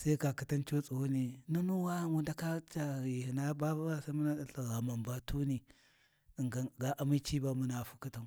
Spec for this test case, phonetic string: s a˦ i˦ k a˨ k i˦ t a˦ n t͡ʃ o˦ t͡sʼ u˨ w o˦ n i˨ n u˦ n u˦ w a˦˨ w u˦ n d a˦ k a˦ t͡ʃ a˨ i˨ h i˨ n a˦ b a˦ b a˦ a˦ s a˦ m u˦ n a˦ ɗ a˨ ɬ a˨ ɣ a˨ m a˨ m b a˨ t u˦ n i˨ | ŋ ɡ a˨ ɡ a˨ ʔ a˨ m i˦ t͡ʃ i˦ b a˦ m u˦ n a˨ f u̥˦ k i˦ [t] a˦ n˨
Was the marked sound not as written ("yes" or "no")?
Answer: no